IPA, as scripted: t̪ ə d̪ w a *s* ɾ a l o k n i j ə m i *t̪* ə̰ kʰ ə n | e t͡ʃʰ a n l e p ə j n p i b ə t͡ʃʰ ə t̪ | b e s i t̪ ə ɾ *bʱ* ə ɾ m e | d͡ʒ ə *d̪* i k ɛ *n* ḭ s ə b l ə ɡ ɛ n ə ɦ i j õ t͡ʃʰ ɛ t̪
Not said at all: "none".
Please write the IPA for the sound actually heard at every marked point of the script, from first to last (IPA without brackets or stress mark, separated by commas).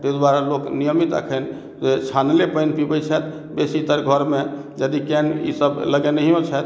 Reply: none, t̪, ɡʱ, d̪, n